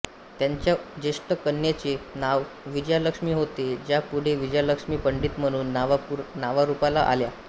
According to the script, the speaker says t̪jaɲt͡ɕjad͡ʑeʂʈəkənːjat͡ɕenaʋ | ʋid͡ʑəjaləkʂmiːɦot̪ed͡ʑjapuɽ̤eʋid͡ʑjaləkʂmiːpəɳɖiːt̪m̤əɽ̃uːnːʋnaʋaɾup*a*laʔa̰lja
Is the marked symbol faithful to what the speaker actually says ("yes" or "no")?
yes